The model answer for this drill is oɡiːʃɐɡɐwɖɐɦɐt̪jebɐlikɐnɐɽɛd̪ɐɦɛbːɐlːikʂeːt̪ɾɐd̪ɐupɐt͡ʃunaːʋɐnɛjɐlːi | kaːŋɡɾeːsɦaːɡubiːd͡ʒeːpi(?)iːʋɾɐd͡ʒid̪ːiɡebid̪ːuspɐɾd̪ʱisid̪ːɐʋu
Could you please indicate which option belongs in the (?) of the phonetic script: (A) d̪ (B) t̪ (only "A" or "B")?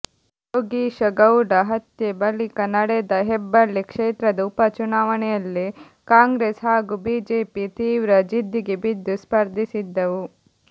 B